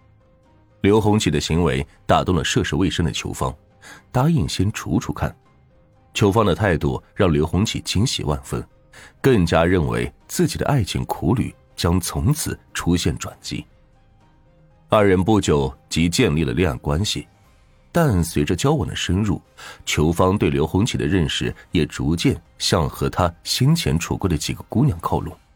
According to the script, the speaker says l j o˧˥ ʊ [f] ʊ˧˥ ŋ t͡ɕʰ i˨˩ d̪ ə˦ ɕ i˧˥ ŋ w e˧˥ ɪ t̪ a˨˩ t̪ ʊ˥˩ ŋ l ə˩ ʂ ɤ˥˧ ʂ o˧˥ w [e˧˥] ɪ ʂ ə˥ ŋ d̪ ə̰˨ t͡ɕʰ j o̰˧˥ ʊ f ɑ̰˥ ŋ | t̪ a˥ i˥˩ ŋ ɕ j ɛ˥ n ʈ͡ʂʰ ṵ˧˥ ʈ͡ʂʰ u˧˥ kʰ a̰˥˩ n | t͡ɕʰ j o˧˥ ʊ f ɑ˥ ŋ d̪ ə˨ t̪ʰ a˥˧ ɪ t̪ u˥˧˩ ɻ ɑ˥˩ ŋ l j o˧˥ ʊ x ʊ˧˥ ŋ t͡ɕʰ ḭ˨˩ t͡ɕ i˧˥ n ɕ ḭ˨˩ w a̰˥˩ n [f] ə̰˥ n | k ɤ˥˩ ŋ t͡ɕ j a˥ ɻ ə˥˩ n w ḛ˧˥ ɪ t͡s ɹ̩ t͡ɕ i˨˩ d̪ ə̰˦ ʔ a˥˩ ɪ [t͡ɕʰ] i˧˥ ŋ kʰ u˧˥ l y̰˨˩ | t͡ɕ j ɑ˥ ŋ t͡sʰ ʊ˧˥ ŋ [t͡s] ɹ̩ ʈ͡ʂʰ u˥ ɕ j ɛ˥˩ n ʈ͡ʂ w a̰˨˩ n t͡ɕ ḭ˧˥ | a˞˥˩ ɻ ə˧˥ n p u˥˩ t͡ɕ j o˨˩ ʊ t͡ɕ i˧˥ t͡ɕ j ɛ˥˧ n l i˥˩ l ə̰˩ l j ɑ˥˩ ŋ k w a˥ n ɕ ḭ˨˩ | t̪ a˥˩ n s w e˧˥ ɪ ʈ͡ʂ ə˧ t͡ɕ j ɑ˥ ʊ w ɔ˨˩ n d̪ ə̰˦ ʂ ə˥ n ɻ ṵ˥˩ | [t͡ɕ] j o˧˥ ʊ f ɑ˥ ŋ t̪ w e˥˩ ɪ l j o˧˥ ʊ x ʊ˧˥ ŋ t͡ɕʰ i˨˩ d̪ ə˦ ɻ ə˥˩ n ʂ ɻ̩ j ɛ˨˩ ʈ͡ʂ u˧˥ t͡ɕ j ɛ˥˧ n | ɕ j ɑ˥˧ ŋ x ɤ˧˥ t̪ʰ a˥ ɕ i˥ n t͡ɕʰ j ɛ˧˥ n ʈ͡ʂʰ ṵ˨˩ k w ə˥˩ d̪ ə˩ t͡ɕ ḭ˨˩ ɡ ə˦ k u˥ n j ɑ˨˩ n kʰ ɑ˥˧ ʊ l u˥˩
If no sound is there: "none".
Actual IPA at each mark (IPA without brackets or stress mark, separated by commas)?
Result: x, e˥˩, f, t͡ɕʰ, t͡sʰ, t͡ɕʰ